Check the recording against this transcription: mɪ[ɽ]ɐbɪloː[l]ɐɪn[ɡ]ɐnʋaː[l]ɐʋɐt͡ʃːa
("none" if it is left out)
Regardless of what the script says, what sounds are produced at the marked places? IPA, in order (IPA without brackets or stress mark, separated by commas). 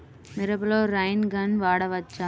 ɾ, ɾ, ɡ, ɽ